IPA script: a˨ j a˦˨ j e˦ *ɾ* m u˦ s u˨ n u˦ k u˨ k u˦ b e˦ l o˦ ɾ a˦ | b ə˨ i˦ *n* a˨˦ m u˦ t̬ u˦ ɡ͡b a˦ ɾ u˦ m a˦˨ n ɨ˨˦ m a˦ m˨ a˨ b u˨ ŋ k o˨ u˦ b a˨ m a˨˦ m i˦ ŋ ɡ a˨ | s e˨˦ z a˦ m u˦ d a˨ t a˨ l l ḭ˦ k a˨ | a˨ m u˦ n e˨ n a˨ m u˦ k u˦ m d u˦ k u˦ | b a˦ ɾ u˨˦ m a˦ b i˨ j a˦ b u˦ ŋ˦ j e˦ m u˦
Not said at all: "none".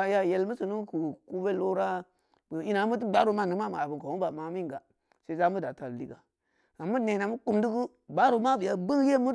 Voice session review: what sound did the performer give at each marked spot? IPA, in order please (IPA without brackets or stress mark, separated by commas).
l, n